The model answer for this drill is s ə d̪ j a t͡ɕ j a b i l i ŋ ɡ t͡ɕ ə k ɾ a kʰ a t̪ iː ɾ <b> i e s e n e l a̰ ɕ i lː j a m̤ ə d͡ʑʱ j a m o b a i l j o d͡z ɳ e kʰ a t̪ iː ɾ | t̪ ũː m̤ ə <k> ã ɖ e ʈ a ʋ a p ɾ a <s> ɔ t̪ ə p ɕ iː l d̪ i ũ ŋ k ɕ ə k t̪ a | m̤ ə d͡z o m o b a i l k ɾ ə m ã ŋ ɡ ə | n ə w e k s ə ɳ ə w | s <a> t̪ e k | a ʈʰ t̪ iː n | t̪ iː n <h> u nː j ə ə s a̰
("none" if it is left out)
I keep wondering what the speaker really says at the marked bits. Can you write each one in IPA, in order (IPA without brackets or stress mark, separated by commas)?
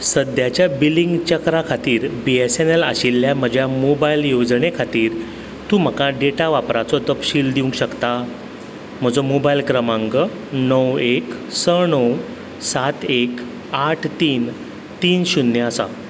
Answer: b, k, t͡s, a, ɕ